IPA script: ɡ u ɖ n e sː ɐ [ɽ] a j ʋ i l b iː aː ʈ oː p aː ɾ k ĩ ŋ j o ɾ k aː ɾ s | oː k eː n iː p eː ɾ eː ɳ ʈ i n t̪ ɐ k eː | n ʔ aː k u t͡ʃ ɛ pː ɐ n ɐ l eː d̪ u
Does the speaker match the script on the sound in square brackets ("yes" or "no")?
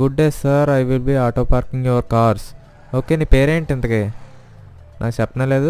no